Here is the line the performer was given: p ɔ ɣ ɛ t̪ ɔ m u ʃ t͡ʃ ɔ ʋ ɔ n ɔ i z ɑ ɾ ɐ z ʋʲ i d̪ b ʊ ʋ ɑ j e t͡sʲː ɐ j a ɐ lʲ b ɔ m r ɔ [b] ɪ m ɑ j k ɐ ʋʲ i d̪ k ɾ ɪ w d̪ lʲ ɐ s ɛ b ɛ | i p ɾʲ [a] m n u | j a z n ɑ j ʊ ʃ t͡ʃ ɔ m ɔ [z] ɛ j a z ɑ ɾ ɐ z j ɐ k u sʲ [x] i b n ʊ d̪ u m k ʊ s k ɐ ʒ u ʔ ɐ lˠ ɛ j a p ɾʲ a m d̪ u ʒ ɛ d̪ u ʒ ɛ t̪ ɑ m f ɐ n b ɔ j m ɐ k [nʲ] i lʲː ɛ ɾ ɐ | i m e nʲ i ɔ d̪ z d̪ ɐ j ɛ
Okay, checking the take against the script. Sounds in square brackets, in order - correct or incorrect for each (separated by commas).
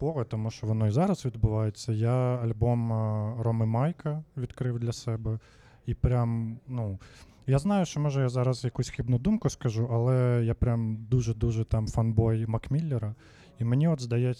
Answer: incorrect, correct, incorrect, correct, incorrect